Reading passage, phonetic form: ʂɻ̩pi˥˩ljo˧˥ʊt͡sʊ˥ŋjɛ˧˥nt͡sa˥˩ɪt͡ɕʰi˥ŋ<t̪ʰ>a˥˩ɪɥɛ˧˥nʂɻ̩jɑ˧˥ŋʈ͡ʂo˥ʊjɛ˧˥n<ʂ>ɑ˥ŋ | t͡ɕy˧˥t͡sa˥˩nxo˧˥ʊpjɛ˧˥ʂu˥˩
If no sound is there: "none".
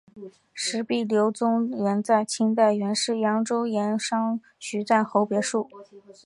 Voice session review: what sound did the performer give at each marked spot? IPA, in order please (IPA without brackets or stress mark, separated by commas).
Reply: t̪, ʂ